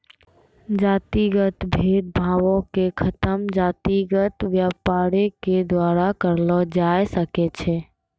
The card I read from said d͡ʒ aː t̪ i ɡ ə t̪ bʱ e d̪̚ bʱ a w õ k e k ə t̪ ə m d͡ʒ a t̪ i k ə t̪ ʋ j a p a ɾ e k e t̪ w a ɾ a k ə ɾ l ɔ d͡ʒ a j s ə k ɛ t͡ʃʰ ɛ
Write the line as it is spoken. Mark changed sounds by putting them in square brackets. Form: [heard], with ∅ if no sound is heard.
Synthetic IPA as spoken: d͡ʒ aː t̪ i ɡ ə t̪ bʱ e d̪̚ bʱ a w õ k e [kʰ] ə t̪ ə m d͡ʒ a t̪ i [ɡ] ə t̪ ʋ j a p a ɾ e k e [d̪] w a ɾ a k ə ɾ l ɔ d͡ʒ a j s ə k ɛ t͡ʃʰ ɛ